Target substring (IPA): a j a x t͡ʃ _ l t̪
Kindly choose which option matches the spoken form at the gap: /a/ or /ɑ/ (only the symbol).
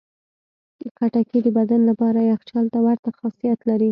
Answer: ɑ